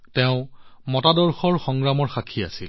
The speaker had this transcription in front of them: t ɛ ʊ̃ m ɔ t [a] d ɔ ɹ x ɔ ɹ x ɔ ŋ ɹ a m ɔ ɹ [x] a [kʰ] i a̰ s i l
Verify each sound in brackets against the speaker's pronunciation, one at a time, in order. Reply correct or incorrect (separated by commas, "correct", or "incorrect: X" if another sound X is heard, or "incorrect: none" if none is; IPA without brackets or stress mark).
correct, correct, correct